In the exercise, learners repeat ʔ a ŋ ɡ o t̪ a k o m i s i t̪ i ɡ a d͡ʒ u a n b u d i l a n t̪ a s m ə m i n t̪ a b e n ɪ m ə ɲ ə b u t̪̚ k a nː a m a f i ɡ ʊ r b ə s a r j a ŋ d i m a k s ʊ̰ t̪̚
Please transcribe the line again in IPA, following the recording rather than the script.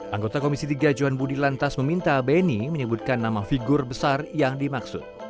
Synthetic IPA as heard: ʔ a ŋ ɡ o t̪ a k o m i s i t̪ i ɡ a d͡ʒ u a n b u d i l a n t̪ a s m ə m i n t̪ a b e n i m ə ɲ ə b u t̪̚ k a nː a m a f i ɡ ʊ r b ə s a r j a ŋ d i m a k s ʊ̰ t̪̚